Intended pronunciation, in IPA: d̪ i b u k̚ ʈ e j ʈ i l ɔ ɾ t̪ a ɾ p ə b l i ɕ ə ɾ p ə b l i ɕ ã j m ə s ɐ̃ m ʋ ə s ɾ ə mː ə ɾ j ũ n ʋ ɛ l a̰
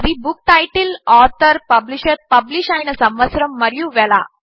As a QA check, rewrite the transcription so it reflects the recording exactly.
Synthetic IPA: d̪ i b u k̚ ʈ a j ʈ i l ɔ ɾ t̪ ə ɾ p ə b l i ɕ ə ɾ p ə b l i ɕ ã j n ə s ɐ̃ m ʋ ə s ɾ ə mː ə ɾ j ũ ʋ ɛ l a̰